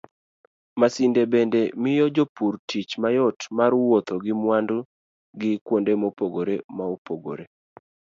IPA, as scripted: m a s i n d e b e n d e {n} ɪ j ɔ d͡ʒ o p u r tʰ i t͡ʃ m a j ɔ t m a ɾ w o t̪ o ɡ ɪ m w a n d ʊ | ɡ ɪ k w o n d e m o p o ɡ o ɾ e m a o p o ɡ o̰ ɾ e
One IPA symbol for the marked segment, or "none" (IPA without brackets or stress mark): m